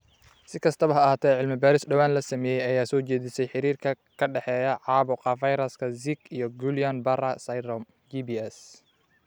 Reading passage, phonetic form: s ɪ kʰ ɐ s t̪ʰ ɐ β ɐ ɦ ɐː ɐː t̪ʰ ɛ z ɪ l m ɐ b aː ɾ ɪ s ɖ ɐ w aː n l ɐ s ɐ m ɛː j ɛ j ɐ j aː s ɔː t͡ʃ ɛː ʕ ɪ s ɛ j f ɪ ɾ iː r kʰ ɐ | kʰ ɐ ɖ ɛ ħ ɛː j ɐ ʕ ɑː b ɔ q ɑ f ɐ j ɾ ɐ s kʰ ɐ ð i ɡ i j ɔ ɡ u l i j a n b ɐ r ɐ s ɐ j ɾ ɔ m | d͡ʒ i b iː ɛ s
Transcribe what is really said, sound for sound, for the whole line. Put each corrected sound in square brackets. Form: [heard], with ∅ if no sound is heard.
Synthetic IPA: s ɪ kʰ ɐ s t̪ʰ ɐ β ɐ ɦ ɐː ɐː t̪ʰ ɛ [ʕ] ɪ l m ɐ b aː ɾ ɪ s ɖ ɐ w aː n l ɐ s ɐ m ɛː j ɛ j ɐ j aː s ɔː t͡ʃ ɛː [ð] ɪ s ɛ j [ħ] ɪ ɾ iː r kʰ ɐ | kʰ ɐ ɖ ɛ ħ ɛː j ɐ ʕ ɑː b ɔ q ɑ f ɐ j ɾ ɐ s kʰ ɐ [z] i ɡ i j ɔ ɡ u l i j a n b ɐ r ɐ s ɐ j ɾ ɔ m | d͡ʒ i b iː ɛ s